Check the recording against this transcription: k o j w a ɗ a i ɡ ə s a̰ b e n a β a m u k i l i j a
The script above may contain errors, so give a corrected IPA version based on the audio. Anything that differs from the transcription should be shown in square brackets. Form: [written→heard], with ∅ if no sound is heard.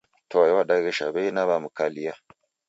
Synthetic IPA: [k→t] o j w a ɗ a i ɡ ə [s→ʃ] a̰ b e n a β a m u k [i→a] l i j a